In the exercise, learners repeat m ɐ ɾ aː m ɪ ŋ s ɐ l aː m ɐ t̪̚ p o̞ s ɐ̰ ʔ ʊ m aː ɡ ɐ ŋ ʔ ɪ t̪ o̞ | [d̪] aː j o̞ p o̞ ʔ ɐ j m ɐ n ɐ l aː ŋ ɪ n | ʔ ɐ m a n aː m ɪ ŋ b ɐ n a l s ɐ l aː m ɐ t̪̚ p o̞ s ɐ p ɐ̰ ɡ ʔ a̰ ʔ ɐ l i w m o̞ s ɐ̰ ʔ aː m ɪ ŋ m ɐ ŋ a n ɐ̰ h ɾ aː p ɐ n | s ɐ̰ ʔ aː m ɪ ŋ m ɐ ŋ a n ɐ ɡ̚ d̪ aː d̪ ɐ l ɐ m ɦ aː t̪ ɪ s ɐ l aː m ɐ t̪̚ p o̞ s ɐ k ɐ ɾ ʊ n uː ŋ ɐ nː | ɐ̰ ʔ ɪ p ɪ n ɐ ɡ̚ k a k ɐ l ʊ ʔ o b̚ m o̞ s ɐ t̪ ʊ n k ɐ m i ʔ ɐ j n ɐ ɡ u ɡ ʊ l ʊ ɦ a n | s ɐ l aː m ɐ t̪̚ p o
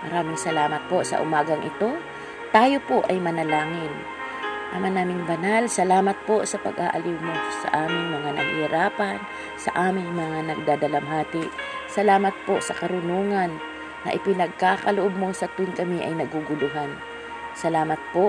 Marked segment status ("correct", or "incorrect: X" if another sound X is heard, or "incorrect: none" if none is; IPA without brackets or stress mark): incorrect: t̪